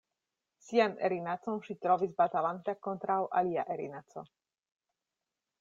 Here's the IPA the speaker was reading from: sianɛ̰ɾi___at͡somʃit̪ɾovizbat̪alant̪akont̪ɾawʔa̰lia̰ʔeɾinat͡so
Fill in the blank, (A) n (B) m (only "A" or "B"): A